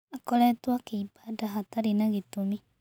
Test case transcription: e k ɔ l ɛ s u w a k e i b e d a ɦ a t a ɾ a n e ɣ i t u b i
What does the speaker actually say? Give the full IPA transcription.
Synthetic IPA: a k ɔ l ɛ t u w a k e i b a d a ɦ a t a ɾ i n a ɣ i t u m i